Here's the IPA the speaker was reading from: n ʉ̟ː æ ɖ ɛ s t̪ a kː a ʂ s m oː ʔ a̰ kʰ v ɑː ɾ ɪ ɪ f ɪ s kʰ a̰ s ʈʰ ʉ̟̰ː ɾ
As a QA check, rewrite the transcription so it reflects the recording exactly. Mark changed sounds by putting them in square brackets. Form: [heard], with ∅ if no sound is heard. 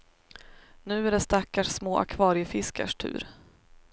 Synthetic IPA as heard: n ʉ̟ː æ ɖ ɛ s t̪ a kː a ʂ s m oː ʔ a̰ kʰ v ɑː ɾ ɪ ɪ f ɪ s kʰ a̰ [ʂ] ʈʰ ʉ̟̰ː ɾ